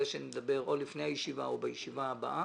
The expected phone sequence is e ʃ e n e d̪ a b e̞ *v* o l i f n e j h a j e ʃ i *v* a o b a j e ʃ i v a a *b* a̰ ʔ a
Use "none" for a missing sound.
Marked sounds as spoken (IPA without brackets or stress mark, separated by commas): ʁ, v, b